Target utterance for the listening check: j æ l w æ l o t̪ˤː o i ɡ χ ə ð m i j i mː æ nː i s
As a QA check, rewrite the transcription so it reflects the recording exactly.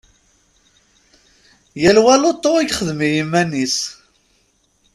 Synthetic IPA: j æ l w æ l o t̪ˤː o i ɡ χ ə ð m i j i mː æ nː i s